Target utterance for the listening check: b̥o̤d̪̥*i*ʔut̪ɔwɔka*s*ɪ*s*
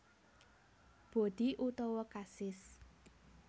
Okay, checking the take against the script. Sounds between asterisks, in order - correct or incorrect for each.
correct, correct, correct

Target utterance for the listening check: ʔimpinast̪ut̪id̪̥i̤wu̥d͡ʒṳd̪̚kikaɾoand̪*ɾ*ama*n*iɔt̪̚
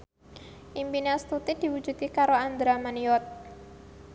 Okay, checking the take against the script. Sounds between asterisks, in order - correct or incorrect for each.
correct, correct

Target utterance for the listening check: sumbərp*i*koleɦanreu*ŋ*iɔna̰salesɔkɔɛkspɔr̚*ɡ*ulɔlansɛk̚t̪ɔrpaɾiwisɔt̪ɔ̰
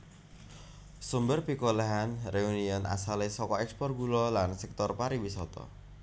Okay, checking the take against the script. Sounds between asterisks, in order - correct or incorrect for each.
correct, incorrect, correct

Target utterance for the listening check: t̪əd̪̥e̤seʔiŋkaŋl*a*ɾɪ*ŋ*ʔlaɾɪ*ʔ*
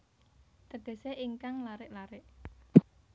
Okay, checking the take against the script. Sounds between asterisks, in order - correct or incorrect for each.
correct, incorrect, correct

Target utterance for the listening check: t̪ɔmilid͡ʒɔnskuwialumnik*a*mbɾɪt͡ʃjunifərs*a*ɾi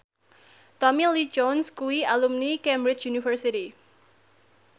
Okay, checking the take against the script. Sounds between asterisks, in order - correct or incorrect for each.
incorrect, incorrect

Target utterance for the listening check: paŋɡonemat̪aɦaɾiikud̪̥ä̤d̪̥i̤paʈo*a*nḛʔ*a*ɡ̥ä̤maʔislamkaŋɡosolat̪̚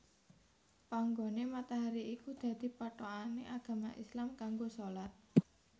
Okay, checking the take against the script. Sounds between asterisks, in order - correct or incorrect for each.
correct, correct

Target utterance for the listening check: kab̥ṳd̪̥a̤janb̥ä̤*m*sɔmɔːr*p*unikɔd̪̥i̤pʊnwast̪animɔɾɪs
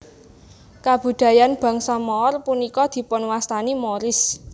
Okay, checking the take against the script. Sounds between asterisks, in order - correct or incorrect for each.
incorrect, correct

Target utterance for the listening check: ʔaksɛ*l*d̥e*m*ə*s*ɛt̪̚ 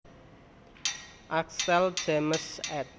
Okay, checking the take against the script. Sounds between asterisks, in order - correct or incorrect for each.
correct, correct, correct

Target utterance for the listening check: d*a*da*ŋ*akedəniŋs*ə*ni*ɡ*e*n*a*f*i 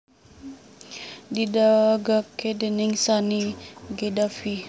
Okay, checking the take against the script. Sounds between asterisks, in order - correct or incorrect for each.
incorrect, incorrect, incorrect, correct, incorrect, correct

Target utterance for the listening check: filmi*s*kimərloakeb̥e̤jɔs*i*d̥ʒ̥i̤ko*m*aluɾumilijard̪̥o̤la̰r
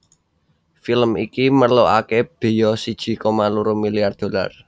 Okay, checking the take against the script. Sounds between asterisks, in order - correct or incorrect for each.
incorrect, correct, correct

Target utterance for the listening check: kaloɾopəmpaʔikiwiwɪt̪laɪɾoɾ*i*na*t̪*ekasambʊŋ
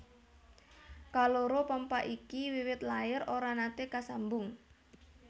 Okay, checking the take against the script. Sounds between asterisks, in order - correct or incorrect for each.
incorrect, correct

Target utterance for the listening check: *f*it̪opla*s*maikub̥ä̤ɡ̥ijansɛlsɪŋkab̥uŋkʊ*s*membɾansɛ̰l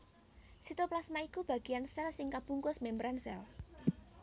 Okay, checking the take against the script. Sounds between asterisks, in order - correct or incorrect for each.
incorrect, correct, correct

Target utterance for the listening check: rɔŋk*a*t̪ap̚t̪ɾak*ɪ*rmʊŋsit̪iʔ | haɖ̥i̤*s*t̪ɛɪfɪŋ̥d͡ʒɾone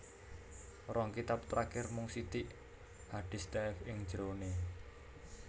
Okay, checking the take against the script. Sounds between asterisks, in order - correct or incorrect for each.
incorrect, correct, correct

